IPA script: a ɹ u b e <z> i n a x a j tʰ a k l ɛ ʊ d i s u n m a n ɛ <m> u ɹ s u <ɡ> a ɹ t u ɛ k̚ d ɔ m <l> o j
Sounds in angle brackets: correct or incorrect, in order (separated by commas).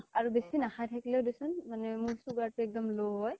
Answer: incorrect, correct, correct, correct